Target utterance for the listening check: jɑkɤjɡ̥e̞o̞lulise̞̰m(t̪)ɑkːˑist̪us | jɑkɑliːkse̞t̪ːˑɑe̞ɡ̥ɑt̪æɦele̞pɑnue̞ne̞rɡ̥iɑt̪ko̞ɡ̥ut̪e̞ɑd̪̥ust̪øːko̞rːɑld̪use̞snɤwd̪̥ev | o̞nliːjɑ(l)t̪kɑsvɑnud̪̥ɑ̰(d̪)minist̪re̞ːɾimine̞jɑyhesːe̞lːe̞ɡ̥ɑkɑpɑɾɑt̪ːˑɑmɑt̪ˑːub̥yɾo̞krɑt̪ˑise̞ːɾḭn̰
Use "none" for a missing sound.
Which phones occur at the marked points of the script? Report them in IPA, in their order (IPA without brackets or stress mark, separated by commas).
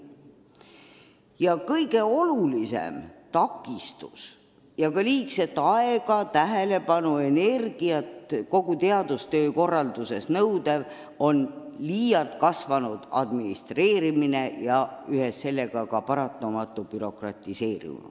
t̪, l, d̪